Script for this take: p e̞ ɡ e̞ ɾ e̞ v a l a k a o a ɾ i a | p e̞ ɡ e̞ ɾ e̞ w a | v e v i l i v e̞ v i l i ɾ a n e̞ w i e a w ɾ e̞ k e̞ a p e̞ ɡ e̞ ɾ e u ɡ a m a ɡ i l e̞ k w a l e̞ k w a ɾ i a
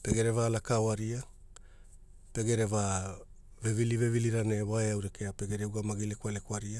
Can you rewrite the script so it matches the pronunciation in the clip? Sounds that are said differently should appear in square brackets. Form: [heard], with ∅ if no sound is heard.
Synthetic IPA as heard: p e̞ ɡ e̞ ɾ e̞ v a l a k a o a ɾ i a | p e̞ ɡ e̞ ɾ e̞ [v] a | v e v i l i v e̞ v i l i ɾ a n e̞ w [a] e a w ɾ e̞ k e̞ a p e̞ ɡ e̞ ɾ e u ɡ a m a ɡ i l e̞ k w a l e̞ k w a ɾ i a